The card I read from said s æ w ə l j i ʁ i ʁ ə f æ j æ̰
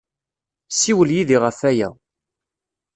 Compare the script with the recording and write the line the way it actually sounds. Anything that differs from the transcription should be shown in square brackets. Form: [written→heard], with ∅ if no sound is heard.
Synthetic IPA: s [æ→i] w ə l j i [ʁ→ð] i ʁ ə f æ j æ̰